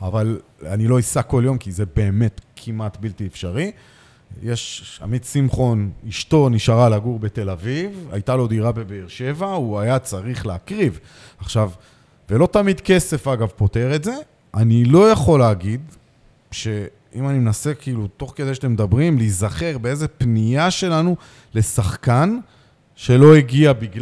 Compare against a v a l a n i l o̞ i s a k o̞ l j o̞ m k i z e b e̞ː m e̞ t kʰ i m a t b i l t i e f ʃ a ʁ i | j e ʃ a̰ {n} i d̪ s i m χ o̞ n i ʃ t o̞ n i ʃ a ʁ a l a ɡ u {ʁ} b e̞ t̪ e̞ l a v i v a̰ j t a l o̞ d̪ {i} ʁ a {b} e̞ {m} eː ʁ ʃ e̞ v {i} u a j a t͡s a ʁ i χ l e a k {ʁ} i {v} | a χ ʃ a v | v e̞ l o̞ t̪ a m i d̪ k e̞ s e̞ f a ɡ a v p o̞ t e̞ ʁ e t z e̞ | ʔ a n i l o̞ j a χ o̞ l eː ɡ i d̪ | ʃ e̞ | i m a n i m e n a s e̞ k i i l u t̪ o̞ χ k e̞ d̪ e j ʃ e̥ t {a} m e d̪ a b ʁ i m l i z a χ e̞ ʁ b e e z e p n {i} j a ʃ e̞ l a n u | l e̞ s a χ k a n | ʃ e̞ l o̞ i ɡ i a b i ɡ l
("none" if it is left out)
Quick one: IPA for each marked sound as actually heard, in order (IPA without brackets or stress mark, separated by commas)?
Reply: m, ʁ, i, b, b, a, ʁ, v, e, i